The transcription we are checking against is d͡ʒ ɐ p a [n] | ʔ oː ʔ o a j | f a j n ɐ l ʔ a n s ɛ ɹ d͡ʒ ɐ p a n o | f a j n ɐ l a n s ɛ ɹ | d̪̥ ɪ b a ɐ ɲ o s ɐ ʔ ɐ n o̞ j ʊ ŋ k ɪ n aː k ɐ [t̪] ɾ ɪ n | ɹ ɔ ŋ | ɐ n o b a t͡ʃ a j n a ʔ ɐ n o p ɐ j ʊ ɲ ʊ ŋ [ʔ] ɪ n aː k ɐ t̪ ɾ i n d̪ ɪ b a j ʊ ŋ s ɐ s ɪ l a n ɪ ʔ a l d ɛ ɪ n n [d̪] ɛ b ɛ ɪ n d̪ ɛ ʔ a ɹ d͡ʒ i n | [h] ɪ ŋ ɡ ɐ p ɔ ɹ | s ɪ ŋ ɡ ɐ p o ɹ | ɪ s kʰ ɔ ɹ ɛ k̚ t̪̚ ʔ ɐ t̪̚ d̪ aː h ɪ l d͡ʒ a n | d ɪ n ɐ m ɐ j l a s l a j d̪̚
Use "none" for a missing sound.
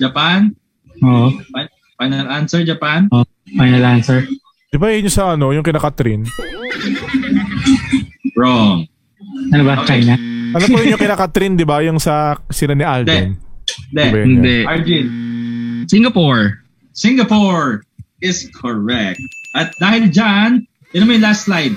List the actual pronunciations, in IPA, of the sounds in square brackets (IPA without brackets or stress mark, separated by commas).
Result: n, t̪, k, d̪, s